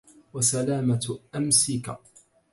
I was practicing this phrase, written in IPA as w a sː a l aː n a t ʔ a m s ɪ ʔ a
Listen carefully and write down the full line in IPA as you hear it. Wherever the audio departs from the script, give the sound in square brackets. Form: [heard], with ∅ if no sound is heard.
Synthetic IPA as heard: w a [s] a l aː [m] a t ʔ a m s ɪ [k] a